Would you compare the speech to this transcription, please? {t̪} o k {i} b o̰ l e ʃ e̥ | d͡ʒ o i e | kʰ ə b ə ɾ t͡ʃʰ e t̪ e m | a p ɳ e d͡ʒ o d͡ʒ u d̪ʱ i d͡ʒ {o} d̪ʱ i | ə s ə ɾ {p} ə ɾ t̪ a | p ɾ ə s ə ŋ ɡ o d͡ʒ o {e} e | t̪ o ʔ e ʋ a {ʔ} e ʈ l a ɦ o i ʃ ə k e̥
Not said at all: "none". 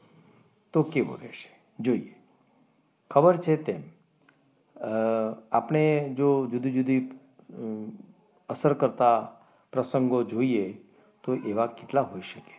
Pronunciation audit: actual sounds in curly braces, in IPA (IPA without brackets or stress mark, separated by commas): t̪, e, u, k, i, k